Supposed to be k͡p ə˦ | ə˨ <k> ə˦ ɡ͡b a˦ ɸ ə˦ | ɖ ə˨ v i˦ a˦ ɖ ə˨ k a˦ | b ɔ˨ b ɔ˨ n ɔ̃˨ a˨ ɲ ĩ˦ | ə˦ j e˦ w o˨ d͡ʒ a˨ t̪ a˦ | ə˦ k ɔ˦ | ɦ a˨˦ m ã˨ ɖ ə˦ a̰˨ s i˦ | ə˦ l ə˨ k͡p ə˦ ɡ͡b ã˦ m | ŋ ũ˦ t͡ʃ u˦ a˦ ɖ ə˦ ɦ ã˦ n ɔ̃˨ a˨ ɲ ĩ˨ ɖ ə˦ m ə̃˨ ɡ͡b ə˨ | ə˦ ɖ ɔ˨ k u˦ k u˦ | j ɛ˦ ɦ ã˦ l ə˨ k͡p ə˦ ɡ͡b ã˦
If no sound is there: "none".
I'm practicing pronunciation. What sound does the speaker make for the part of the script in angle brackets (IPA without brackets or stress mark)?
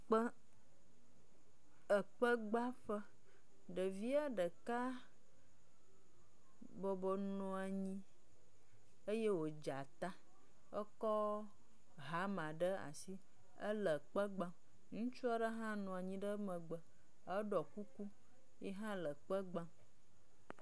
k͡p